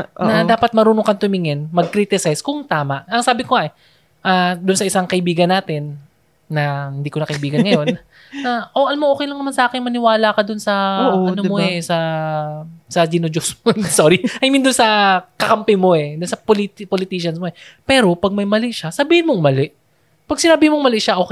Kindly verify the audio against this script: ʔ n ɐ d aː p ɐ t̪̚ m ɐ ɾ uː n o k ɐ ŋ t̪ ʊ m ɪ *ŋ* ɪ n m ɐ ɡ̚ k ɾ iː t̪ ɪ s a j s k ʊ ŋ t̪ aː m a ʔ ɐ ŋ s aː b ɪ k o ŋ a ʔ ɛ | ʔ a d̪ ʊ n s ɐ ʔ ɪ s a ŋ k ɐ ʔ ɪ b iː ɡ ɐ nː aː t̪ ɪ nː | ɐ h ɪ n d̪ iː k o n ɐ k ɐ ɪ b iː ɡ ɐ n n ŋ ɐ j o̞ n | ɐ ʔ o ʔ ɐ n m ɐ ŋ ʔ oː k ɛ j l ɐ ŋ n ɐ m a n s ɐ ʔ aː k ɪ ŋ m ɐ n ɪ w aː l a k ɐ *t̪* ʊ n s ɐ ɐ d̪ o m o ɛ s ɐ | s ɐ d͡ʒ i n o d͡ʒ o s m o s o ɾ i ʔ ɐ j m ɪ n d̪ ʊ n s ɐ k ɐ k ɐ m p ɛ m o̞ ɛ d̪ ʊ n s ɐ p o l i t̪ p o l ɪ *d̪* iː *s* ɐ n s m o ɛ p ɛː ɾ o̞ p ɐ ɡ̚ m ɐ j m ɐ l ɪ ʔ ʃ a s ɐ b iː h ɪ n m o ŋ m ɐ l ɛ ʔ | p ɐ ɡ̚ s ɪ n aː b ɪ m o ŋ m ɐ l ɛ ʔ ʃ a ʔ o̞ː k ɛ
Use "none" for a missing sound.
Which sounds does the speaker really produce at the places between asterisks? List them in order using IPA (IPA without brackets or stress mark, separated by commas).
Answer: ŋ, d̪, t̪, ʃ